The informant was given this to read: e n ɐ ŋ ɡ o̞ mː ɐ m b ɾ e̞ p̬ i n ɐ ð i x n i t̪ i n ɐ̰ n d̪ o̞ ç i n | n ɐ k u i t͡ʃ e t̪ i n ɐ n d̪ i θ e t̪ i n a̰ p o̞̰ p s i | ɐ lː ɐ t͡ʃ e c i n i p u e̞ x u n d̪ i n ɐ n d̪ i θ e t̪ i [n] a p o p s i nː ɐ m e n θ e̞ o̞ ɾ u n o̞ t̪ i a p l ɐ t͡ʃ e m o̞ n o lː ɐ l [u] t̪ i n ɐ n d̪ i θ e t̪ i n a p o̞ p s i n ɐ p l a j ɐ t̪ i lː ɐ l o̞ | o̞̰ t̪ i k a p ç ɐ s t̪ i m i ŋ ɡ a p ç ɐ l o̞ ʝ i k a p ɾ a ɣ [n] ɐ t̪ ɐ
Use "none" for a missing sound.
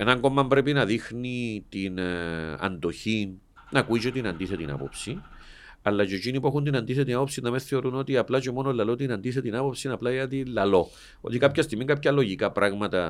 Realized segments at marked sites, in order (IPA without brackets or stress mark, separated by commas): n, o, m